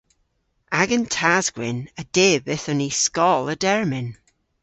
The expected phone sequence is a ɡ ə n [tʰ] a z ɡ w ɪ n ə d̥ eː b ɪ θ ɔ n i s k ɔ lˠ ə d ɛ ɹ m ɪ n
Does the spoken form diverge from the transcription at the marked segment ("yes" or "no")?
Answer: no